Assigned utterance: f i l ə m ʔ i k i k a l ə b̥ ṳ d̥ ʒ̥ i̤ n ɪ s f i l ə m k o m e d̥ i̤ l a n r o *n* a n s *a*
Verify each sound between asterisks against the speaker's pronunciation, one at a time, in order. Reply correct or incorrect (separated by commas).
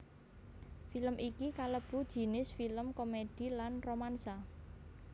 incorrect, correct